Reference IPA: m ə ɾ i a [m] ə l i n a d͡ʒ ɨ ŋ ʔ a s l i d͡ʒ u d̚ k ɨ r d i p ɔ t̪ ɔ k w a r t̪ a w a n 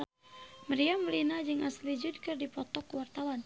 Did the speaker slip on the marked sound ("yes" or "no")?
no